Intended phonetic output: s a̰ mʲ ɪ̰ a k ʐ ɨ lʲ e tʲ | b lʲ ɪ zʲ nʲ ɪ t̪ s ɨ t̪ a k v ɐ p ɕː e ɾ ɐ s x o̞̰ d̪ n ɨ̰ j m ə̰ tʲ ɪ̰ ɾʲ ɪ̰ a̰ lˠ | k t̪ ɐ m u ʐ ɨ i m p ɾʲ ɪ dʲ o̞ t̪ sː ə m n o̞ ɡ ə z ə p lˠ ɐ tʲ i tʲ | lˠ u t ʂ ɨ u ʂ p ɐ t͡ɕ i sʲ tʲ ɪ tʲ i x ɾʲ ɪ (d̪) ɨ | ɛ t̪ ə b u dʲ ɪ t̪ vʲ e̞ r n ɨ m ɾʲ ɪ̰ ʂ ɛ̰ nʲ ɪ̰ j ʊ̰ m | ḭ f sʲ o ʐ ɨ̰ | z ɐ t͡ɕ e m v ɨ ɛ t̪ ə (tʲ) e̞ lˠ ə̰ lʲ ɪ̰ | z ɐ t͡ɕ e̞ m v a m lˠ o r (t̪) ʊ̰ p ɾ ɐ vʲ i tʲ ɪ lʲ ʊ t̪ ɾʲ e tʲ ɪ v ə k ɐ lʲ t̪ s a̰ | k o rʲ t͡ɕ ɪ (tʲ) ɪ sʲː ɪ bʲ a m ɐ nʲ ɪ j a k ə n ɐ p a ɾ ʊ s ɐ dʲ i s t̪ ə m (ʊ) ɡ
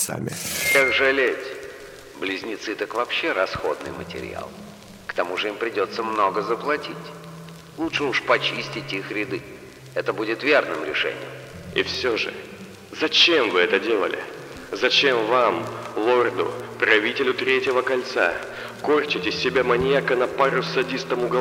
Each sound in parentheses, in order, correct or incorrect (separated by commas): correct, incorrect, incorrect, correct, correct